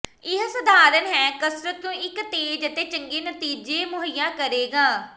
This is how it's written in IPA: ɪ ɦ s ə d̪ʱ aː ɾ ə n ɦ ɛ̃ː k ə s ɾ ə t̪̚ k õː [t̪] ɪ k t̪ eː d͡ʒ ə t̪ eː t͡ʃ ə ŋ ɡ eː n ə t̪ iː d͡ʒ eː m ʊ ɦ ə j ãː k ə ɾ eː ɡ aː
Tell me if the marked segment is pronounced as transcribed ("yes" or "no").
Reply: no